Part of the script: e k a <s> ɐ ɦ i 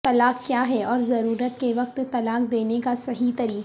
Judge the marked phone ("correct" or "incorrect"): correct